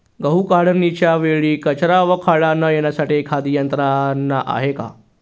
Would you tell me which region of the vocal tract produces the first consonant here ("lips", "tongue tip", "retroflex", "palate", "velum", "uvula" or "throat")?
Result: velum